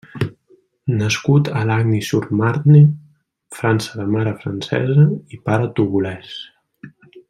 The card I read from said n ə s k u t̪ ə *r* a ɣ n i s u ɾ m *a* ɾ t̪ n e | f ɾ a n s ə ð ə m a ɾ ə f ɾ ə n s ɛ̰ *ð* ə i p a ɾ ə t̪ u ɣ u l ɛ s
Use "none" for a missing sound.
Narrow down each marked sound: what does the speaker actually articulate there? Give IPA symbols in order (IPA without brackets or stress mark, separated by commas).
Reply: l, a, z